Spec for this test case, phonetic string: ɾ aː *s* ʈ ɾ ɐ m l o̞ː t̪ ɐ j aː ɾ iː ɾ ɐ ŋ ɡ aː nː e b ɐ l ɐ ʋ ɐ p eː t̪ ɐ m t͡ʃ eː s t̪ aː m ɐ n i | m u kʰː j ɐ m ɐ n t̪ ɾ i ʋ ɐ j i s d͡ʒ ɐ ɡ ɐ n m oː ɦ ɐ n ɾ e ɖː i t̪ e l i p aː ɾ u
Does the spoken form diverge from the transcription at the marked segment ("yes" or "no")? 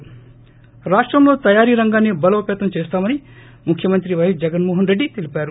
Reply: yes